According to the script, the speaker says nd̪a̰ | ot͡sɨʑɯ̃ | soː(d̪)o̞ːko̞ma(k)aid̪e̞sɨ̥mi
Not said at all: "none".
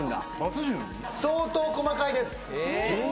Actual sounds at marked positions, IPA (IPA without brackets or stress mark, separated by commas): t̪, k